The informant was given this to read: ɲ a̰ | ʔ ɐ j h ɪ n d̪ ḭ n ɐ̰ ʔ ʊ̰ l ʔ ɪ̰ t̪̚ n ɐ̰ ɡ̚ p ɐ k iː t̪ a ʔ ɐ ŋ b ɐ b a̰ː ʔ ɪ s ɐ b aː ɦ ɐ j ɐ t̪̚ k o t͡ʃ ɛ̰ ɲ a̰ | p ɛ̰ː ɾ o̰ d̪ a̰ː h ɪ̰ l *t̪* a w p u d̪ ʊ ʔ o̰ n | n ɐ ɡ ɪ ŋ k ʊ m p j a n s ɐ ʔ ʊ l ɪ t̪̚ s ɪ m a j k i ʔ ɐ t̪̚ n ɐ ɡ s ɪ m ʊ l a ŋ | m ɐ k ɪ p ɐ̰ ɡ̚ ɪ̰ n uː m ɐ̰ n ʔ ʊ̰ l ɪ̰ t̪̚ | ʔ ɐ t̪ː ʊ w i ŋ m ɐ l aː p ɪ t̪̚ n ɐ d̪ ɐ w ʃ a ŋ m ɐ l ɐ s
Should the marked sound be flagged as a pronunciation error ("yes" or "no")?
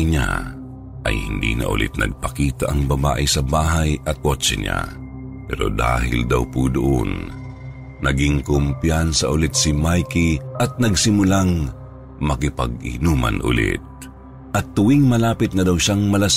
yes